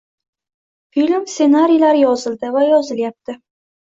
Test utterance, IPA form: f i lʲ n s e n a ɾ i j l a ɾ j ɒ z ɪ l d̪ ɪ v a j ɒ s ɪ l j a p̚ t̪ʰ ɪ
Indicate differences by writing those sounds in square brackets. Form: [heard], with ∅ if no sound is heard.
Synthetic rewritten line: f i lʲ [m] s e n a ɾ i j l a ɾ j ɒ z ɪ l d̪ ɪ v a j ɒ [z] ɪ l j a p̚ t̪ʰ ɪ